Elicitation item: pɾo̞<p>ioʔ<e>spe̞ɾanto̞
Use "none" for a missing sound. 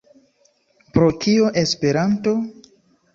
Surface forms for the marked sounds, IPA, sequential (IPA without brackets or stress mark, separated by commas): k, e